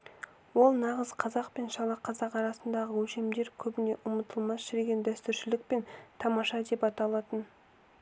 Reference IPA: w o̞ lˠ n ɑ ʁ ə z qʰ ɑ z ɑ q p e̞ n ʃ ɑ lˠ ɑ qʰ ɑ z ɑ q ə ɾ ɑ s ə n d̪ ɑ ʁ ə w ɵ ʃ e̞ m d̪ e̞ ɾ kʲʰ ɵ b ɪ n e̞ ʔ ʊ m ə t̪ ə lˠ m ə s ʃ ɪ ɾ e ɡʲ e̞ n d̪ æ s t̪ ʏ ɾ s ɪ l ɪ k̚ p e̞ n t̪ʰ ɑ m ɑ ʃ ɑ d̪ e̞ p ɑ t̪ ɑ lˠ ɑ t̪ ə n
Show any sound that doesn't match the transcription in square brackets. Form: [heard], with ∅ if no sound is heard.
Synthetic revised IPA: w o̞ lˠ n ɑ ʁ ə z qʰ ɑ z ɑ q p e̞ n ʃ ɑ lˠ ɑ qʰ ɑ z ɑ q [ɑ] ɾ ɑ s ə n d̪ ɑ ʁ ə w ɵ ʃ e̞ m d̪ e̞ ɾ kʲʰ ɵ b ɪ n e̞ ʔ ʊ m ə t̪ ə lˠ m [ɑ] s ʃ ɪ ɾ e ɡʲ e̞ n d̪ æ s t̪ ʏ ɾ [ʃ] ɪ l ɪ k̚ p e̞ n t̪ʰ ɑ m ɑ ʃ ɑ d̪ e̞ p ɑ t̪ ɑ lˠ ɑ t̪ ə n